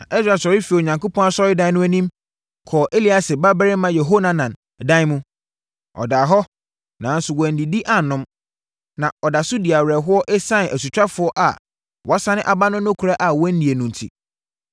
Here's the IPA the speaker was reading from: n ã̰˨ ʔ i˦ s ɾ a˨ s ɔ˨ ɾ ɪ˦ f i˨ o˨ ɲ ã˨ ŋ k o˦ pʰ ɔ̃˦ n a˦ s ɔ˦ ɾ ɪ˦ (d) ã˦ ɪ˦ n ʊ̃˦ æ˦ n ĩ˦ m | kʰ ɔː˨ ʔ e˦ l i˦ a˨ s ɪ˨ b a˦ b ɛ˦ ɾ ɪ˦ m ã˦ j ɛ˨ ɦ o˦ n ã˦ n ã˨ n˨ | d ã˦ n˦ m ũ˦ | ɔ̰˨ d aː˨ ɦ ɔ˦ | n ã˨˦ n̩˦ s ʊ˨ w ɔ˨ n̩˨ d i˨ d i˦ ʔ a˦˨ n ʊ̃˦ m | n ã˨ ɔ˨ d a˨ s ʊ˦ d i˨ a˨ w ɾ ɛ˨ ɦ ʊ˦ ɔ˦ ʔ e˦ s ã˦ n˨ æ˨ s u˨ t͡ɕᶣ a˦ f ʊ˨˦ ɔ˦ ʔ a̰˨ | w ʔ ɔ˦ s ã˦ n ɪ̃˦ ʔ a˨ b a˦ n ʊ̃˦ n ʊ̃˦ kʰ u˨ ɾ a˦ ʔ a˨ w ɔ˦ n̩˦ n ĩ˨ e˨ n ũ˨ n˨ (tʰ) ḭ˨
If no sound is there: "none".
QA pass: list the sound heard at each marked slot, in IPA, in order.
d, tʰ

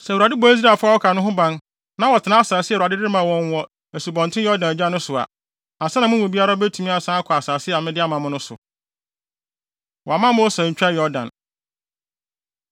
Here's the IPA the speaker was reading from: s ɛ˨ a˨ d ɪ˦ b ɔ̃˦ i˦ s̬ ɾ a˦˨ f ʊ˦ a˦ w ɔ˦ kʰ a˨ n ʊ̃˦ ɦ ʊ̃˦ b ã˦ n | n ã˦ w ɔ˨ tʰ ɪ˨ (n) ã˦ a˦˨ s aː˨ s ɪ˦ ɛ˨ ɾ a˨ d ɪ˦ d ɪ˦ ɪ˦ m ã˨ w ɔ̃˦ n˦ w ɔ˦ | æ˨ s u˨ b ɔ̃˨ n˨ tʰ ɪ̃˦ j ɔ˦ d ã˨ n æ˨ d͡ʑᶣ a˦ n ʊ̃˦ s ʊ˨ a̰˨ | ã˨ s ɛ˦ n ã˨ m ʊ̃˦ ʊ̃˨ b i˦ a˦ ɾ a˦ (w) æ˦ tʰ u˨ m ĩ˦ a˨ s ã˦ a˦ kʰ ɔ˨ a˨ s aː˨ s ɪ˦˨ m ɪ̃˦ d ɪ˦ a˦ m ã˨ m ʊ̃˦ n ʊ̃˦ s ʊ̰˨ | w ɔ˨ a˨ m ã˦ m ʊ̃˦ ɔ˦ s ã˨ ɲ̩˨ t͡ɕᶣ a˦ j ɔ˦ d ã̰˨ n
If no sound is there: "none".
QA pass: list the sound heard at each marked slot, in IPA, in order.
n, b

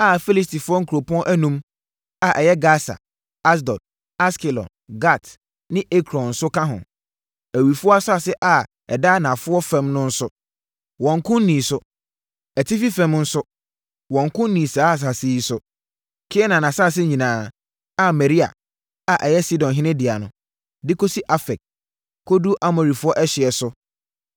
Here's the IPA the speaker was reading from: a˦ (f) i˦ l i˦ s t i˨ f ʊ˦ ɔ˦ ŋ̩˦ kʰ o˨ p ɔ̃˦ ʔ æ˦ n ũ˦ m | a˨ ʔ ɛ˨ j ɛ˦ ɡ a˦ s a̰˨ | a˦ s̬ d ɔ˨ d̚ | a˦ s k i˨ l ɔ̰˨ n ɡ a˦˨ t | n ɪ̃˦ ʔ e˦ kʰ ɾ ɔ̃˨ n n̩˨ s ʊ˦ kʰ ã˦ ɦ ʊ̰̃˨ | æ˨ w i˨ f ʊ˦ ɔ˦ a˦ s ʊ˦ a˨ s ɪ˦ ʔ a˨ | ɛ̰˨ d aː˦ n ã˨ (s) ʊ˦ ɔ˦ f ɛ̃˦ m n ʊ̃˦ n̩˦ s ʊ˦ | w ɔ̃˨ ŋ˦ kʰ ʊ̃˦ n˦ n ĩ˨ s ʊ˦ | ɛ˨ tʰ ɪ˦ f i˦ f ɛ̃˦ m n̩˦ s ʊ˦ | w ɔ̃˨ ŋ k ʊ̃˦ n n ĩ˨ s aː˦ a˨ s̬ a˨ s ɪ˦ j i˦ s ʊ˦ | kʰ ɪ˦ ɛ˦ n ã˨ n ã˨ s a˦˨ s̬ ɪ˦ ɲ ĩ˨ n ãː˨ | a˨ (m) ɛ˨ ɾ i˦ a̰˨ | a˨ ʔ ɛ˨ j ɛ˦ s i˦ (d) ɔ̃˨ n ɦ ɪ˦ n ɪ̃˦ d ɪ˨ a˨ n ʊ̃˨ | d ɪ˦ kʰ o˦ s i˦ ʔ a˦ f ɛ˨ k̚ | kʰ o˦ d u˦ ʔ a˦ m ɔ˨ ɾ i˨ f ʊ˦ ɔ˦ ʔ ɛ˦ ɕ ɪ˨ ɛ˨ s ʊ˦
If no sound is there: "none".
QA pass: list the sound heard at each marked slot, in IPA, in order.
f, f, m, d

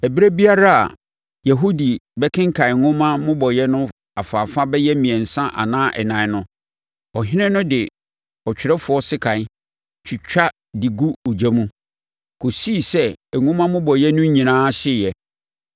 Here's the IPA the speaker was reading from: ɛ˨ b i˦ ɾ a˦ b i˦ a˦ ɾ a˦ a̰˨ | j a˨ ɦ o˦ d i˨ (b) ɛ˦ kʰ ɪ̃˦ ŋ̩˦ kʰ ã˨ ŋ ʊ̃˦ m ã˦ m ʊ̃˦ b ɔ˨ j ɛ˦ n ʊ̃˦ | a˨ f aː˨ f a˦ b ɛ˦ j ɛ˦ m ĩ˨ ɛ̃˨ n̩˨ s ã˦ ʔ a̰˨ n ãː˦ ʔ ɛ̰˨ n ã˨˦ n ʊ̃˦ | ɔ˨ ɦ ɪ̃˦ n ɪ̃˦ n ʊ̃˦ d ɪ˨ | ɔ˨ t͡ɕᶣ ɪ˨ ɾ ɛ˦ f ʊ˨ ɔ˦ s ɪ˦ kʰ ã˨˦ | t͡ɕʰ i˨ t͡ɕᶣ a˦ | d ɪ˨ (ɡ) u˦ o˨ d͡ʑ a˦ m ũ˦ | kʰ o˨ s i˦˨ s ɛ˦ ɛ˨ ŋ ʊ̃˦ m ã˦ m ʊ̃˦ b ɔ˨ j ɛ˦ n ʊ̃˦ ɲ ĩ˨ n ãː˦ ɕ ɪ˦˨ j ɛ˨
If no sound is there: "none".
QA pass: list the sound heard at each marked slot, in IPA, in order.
b, ɡ

